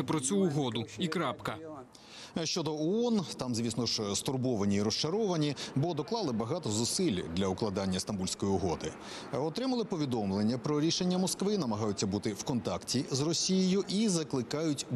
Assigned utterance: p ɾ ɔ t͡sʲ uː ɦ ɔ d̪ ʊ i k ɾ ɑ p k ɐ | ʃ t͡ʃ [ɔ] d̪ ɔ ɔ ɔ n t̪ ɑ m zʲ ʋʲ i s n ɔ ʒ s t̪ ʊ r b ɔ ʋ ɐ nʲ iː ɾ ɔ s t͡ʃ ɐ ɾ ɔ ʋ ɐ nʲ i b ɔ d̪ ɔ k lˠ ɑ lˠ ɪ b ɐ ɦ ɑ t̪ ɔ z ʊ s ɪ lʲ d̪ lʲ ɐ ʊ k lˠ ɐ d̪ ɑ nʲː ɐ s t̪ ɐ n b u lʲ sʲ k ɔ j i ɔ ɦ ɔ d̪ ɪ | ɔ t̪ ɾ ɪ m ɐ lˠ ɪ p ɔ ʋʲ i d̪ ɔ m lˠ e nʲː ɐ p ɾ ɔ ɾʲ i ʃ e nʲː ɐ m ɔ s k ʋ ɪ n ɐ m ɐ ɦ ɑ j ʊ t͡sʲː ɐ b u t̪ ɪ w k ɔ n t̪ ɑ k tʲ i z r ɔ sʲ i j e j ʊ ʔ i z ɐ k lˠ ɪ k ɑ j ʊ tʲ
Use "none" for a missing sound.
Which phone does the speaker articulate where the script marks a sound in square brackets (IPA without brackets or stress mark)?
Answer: ɔ